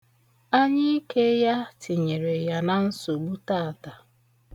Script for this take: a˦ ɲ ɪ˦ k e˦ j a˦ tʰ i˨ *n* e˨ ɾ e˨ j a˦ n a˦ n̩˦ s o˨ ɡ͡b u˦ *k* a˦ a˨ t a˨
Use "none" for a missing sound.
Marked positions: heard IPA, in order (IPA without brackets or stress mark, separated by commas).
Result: ɲ, t